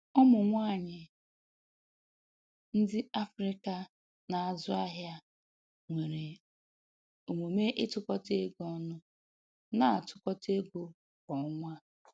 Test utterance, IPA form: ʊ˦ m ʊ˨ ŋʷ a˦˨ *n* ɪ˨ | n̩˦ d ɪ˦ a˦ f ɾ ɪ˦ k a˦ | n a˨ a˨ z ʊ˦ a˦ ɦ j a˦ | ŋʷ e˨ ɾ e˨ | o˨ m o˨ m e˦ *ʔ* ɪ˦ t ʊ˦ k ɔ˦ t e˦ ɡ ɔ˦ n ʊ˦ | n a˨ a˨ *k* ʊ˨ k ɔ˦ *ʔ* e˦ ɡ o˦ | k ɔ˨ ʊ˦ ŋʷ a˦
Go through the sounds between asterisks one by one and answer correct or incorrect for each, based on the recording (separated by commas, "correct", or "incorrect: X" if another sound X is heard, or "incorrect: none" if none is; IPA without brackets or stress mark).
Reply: incorrect: ɲ, correct, incorrect: t, incorrect: t